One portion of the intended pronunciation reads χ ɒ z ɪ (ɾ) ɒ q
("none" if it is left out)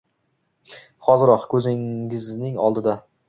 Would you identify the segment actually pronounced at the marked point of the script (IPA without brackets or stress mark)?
ɾ